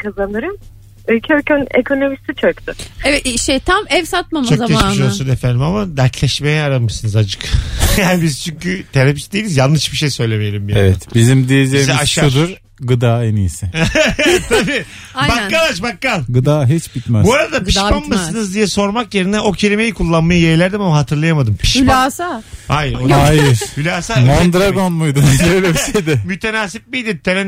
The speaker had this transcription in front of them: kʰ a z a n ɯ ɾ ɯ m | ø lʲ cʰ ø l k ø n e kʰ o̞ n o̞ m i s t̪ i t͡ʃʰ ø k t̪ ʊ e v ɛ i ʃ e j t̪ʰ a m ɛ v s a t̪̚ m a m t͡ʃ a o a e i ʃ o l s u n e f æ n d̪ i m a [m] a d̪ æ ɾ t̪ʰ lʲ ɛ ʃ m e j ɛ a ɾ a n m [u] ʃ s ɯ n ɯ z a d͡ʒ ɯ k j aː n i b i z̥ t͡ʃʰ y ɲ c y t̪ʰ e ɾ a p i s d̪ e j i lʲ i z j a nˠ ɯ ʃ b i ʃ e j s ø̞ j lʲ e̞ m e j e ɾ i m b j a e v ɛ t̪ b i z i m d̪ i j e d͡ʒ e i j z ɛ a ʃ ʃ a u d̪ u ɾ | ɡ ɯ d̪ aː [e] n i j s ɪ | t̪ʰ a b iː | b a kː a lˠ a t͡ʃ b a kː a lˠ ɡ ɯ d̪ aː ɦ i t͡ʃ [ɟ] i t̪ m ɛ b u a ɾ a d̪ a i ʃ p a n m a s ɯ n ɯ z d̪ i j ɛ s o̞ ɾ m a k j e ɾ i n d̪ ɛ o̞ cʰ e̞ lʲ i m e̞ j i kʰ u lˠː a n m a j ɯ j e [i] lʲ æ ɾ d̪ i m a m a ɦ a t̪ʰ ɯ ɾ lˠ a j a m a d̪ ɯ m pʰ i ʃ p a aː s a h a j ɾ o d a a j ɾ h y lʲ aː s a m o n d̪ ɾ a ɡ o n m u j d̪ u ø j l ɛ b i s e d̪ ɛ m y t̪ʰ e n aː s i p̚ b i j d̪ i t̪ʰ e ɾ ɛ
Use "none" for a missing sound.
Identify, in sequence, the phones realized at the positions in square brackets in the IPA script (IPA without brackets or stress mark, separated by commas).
m, ɯ, e, b, j